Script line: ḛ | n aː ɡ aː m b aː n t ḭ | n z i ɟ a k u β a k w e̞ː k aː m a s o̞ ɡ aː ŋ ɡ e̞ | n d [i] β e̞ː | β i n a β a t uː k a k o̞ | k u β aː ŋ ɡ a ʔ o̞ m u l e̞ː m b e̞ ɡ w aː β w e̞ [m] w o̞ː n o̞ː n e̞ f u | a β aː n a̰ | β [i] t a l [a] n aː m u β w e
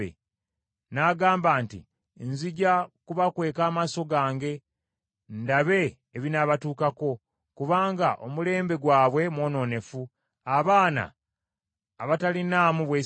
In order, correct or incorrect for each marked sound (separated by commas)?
incorrect, correct, incorrect, incorrect